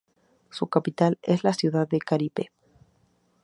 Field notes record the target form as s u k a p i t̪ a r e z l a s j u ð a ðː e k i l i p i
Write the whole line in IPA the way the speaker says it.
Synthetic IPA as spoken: s u k a p i t̪ a l e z l a s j u ð a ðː e k a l i p e

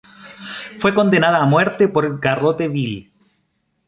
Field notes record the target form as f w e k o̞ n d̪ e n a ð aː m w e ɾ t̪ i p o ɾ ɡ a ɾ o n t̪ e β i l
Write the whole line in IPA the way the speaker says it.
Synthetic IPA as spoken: f w e k o̞ n d̪ e n a ð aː m w e ɾ t̪ e p o ɾ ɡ a r o t̪ e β i l

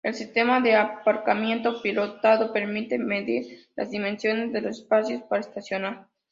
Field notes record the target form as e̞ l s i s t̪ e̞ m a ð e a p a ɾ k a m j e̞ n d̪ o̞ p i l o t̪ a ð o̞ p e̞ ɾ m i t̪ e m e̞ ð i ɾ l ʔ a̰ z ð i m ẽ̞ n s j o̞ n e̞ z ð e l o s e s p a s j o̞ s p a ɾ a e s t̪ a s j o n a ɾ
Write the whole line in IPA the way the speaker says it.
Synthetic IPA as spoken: e̞ l s i s t̪ e̞ m a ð e a p a ɾ k a m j e̞ n t̪ o̞ p i l o t̪ a ð o̞ p e̞ ɾ m i t̪ e m e̞ ð i ɾ l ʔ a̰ z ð i m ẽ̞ n s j o̞ n e̞ z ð e l o s e s p a s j o̞ s p a ɾ a e s t̪ a s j o n a ɾ

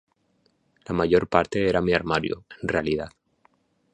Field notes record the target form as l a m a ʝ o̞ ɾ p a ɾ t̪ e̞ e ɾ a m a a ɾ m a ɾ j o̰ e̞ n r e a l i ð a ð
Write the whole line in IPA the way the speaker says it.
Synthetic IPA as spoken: l a m a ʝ o̞ ɾ p a ɾ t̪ e̞ e ɾ a m i a ɾ m a ɾ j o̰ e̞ n r e a l i ð a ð

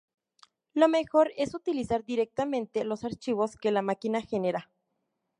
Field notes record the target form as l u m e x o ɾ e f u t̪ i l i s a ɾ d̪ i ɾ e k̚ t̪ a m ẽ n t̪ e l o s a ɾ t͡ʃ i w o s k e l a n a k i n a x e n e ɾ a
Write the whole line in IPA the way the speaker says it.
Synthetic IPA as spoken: l o m e x o ɾ e s u t̪ i l i s a ɾ d̪ i ɾ e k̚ t̪ a m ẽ n t̪ e l o s a ɾ t͡ʃ i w o s k e l a m a k i n a x e n e ɾ a

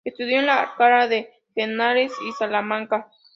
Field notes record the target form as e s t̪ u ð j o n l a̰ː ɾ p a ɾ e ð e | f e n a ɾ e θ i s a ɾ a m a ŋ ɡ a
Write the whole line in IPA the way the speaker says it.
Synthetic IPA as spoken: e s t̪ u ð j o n l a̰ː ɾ k a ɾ a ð e | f e n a ɾ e s i s a l a m a ŋ k a

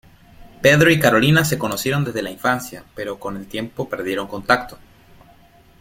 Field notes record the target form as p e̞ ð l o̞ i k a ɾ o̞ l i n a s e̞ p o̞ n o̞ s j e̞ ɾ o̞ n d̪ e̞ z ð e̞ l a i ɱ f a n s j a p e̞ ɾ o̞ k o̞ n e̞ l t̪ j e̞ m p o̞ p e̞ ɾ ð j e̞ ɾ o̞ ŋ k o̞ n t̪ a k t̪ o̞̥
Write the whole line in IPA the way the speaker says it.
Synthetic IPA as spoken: p e̞ ð ɾ o̞ i k a ɾ o̞ l i n a s e̞ k o̞ n o̞ s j e̞ ɾ o̞ n d̪ e̞ z ð e̞ l a i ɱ f a n s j a p e̞ ɾ o̞ k o̞ n e̞ l t̪ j e̞ m p o̞ p e̞ ɾ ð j e̞ ɾ o̞ ŋ k o̞ n t̪ a k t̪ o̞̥

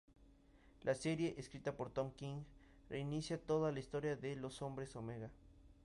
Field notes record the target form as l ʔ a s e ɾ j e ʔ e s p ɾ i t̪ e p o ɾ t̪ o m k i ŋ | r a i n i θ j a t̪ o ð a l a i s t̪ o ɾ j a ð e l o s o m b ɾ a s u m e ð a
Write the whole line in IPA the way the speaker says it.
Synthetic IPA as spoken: l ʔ a s e ɾ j e ʔ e s k ɾ i t̪ a p o ɾ t̪ o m k i ŋ | r e i n i s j a t̪ o ð a l a i s t̪ o ɾ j a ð e l o s o m b ɾ e s o m e ɣ a

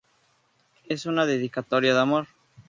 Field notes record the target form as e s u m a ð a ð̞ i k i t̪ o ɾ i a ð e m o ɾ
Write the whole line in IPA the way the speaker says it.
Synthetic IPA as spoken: e s u n a ð e ð̞ i k a t̪ o ɾ j a ð a m o ɾ

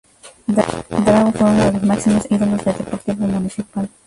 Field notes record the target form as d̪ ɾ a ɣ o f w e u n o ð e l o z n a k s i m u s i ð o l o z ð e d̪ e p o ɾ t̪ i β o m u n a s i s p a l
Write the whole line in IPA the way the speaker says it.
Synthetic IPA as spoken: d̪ ɾ a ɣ o f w e u n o ð e l o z m a k s i m o s i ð o l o z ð e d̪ e p o ɾ t̪ i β o m u n i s i p a l

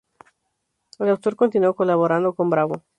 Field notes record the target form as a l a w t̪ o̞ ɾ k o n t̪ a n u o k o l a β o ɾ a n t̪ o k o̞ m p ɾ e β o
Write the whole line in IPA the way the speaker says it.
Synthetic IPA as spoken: e l a w t̪ o̞ ɾ k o n t̪ i n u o k o l a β o ɾ a n d̪ o k o̞ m b ɾ a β o

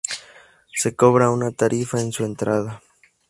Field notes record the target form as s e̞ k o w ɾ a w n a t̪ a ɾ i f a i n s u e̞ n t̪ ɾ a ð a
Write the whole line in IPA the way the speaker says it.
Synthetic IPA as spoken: s e̞ k o β ɾ a u n a t̪ a ɾ i f a e n s u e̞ n t̪ ɾ a ð a

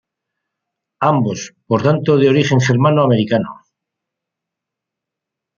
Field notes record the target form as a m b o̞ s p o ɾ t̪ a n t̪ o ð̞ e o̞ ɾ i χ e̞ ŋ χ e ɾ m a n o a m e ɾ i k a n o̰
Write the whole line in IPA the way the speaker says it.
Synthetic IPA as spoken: a m b o̞ s p o ɾ t̪ a n t̪ o ð̞ e o̞ ɾ i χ e̞ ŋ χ e ɾ m a n o a m e ɾ i k a n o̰

